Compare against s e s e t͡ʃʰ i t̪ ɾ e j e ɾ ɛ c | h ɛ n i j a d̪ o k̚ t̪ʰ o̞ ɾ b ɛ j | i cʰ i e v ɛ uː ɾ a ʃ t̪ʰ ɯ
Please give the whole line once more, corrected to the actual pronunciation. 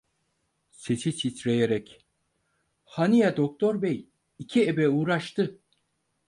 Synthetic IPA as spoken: s e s i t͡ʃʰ i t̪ ɾ e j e ɾ ɛ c | h a n i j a d̪ o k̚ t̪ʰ o̞ ɾ b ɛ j | i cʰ i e b ɛ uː ɾ a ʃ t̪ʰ ɯ